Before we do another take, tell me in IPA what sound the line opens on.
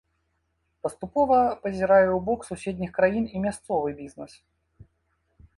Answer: p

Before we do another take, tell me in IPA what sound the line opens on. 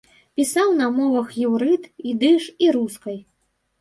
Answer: pʲ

